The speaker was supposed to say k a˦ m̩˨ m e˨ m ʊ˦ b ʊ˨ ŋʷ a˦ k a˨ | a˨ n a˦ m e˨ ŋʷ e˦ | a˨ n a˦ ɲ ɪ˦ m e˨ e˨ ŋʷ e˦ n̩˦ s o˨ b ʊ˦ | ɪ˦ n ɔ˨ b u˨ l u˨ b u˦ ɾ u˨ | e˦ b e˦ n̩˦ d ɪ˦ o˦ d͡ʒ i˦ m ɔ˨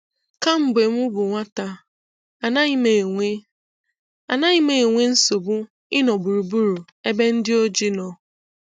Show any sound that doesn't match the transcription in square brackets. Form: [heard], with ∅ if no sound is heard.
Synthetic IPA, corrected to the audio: k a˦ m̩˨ [b] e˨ m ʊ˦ b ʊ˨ ŋʷ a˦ [t] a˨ | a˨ n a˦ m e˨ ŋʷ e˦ | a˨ n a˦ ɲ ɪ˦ m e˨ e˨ ŋʷ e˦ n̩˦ s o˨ b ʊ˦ | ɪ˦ n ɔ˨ b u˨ [ɾ] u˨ b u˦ ɾ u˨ | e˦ b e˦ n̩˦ d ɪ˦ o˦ d͡ʒ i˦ [n] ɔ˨